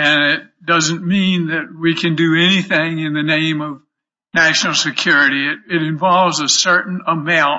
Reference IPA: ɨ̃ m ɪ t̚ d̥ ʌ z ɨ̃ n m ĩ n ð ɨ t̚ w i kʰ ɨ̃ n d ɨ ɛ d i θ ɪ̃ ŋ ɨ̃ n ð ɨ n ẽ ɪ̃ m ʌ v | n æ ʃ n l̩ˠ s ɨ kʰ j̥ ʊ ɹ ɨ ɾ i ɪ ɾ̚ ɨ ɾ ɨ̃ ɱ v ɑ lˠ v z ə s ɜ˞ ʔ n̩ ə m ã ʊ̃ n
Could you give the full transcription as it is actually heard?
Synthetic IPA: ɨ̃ n ɪ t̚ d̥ ʌ z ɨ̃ n m ĩ n ð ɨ t̚ w i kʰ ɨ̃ n d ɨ ɛ n i θ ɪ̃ ŋ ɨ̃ n ð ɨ n ẽ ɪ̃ m ʌ v | n æ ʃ n l̩ˠ s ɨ kʰ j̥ ʊ ɹ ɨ ɾ i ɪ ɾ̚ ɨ ɾ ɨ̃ ɱ v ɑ lˠ v z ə s ɜ˞ ʔ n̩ ə m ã ʊ̃ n

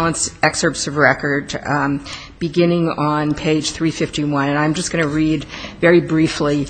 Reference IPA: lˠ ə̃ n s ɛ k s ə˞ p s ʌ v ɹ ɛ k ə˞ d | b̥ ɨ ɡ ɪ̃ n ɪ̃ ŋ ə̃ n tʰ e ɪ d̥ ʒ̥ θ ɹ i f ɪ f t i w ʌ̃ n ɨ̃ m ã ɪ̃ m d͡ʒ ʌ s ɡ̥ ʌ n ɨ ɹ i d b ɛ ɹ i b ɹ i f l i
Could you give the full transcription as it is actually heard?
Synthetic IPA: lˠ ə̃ n s ɛ k s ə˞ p s ʌ v ɹ ɛ k ə˞ d | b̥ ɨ ɡ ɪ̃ n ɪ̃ ŋ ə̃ n pʰ e ɪ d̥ ʒ̥ θ ɹ i f ɪ f t i w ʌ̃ n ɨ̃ n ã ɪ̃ m d͡ʒ ʌ s ɡ̥ ʌ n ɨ ɹ i d v ɛ ɹ i b ɹ i f l i

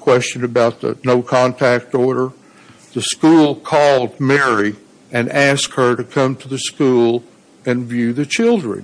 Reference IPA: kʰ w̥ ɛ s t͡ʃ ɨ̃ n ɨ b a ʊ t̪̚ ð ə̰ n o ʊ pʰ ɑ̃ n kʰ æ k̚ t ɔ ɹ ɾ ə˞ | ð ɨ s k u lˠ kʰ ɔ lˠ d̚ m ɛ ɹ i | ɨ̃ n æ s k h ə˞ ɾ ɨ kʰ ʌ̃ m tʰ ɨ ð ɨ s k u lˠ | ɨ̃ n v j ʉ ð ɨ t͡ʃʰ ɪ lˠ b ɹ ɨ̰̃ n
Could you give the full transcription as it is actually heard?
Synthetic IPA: kʰ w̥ ɛ s t͡ʃ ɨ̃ n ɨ b a ʊ t̪̚ ð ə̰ n o ʊ kʰ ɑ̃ n tʰ æ k̚ t ɔ ɹ ɾ ə˞ | ð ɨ s k u lˠ kʰ ɔ lˠ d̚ m ɛ ɹ i | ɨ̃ n æ s k h ə˞ ɾ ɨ kʰ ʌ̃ m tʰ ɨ ð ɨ s k u lˠ | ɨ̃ n v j ʉ ð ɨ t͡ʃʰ ɪ lˠ d ɹ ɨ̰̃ n

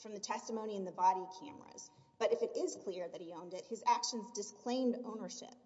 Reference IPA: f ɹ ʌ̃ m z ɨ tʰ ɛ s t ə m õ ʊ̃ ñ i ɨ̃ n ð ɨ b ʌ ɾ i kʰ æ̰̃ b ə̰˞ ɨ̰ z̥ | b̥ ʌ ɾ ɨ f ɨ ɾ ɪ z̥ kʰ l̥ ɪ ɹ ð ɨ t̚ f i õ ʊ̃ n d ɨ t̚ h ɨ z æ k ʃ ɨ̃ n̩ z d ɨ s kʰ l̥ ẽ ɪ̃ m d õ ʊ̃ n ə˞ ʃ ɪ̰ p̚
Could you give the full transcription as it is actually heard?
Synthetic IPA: f ɹ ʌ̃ m ð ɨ tʰ ɛ s t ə m õ ʊ̃ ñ i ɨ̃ n ð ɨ b ɑ ɾ i kʰ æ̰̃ m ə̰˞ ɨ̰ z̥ | b̥ ʌ ɾ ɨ f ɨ ɾ ɪ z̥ kʰ l̥ ɪ ɹ ð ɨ t̚ h i õ ʊ̃ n d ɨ t̚ h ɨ z æ k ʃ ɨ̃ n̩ z d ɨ s kʰ l̥ ẽ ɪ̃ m d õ ʊ̃ n ə˞ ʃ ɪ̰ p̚

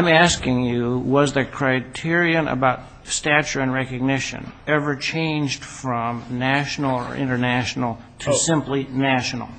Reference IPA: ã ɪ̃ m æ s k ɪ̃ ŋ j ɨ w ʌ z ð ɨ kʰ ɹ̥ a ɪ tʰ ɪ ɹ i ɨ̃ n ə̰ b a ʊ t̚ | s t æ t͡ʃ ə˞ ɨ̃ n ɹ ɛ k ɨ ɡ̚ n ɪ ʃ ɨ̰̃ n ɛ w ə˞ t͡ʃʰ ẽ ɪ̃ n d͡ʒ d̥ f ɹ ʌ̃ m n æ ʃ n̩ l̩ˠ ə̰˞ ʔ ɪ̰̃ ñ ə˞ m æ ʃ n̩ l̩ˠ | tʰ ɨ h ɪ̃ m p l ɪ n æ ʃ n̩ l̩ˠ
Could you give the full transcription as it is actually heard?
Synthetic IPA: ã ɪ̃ m æ s k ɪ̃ ŋ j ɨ w ʌ z ð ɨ kʰ ɹ̥ a ɪ tʰ ɪ ɹ i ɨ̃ n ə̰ b a ʊ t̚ | s t æ t͡ʃ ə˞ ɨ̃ n ɹ ɛ k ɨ ɡ̚ n ɪ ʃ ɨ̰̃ n ɛ v ə˞ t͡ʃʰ ẽ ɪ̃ n d͡ʒ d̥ f ɹ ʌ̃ m n æ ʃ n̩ l̩ˠ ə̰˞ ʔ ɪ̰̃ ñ ə˞ n æ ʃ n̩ l̩ˠ | tʰ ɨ s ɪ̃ m p l i n æ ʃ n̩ l̩ˠ

